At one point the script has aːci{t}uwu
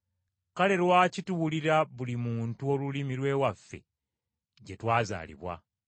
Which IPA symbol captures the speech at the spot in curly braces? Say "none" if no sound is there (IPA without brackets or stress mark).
t